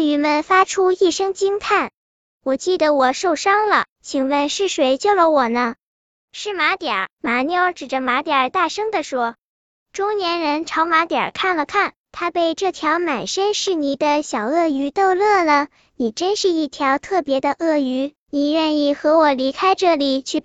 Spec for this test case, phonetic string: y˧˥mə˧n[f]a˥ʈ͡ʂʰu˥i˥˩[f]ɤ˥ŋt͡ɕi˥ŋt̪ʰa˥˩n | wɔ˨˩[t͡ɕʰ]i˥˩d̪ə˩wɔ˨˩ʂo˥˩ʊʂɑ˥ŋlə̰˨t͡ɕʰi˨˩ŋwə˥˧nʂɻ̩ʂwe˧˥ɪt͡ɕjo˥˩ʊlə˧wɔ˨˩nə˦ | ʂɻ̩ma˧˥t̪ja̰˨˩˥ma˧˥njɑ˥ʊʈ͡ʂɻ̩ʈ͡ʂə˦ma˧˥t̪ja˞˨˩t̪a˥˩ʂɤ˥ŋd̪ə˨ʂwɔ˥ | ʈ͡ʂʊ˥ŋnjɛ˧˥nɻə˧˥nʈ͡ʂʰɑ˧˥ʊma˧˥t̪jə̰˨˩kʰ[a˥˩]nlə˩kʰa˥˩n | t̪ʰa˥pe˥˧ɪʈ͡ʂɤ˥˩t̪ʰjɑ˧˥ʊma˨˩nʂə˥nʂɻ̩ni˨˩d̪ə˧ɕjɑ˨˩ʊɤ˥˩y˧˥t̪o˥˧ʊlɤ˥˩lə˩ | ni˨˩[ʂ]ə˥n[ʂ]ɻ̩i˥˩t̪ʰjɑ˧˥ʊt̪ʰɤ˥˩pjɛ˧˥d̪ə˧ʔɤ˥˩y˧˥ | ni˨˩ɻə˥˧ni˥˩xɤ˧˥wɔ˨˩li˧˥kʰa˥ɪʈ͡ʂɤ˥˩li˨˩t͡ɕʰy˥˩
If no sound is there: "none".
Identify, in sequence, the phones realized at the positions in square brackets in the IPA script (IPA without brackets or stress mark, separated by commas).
f, ʂ, t͡ɕ, a˥˩, ʈ͡ʂ, ʂ